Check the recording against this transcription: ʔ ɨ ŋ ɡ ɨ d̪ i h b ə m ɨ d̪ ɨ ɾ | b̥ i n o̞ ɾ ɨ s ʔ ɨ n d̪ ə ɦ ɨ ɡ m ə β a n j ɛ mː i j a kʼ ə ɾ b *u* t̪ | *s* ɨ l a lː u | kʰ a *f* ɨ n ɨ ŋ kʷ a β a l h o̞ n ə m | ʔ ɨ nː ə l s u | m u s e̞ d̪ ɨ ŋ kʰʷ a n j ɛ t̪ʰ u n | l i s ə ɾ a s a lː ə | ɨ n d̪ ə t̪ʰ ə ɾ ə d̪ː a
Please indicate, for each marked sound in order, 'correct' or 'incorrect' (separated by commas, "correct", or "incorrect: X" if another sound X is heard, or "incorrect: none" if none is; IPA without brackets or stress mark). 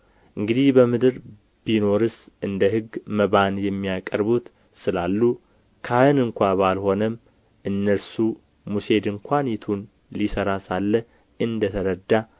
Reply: correct, correct, incorrect: h